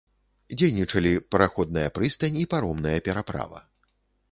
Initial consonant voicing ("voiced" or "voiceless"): voiced